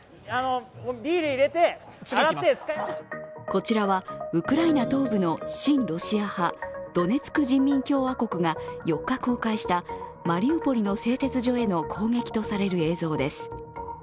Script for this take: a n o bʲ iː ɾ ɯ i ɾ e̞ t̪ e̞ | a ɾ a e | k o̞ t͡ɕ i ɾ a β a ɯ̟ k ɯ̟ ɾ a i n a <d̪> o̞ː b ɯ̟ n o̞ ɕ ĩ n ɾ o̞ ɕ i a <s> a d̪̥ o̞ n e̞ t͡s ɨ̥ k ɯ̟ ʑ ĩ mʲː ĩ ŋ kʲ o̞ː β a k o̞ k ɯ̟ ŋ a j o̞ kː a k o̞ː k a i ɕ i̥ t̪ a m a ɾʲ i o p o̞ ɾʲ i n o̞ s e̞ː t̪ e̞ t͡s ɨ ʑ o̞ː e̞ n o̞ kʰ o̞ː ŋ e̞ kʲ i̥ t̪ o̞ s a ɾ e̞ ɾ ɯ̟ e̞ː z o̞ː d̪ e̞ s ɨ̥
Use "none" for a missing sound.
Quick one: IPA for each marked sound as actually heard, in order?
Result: t̪, h

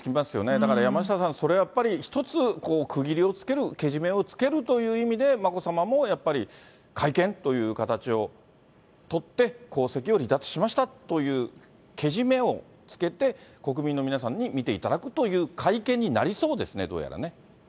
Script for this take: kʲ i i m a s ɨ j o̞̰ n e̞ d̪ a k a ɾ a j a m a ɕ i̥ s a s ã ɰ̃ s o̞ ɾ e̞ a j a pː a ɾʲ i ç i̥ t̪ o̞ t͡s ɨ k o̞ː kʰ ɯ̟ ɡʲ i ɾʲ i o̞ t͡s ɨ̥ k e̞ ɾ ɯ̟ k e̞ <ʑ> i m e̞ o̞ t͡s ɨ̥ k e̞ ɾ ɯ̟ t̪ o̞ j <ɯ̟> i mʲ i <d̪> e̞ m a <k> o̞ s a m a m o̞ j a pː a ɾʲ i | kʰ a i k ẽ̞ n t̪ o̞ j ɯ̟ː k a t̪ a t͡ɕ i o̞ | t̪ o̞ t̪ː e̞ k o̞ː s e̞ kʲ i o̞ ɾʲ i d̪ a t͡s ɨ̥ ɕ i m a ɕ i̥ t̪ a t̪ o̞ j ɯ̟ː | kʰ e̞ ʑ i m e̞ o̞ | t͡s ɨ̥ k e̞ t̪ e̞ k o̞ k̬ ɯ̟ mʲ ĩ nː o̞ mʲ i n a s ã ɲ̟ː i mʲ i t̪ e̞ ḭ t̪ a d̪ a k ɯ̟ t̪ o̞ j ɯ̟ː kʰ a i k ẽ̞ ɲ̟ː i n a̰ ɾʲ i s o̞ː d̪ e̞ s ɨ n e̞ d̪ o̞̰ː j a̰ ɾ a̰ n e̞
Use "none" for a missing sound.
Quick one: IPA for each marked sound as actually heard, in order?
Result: ʑ, ɯ̟ː, d̪, k

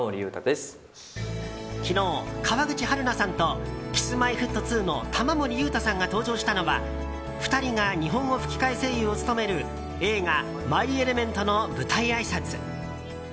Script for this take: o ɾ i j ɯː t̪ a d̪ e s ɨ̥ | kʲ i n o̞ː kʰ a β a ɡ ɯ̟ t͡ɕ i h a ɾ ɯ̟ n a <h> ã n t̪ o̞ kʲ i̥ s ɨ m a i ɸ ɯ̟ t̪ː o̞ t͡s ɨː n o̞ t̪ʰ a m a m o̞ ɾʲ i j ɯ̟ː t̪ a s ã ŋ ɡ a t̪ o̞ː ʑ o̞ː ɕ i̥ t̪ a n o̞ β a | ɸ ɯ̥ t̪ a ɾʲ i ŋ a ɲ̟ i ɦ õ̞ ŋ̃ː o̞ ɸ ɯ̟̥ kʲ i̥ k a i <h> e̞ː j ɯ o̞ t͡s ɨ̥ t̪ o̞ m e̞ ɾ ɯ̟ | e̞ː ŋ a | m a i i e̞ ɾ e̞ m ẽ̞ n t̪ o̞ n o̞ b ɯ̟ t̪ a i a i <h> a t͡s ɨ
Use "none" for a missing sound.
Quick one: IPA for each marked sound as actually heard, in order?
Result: s, s, s

